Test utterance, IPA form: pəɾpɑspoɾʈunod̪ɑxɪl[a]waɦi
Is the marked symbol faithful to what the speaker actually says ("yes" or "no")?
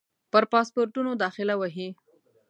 yes